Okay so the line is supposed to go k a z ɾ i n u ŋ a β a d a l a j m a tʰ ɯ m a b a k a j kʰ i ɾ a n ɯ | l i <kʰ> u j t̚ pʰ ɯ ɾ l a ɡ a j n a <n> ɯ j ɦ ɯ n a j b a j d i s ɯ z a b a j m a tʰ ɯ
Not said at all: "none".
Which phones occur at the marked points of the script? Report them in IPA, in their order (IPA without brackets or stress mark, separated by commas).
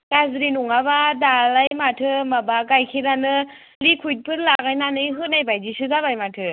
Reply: kʰ, n